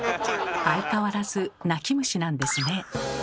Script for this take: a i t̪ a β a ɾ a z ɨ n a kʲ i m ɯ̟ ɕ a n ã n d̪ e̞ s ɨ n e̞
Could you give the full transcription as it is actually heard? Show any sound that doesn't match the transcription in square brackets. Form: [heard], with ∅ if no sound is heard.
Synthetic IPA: a i t̪ a β a ɾ a z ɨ n a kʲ i m ɯ̟ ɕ [i] n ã n d̪ e̞ s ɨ n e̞